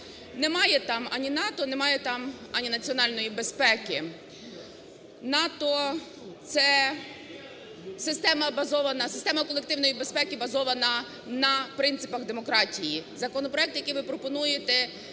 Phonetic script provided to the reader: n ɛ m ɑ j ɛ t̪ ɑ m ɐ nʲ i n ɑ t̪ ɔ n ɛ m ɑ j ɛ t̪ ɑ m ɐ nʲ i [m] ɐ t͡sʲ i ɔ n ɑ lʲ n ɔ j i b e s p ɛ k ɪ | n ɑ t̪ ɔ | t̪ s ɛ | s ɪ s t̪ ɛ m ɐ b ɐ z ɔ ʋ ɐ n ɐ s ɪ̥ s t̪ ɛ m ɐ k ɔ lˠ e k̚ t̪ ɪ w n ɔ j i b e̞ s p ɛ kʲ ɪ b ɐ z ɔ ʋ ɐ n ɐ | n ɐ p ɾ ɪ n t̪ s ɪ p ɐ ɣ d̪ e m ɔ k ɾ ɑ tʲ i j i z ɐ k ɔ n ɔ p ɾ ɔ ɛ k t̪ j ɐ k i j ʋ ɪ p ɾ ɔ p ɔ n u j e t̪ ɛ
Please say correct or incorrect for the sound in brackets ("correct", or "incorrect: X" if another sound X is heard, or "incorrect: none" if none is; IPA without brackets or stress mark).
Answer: incorrect: n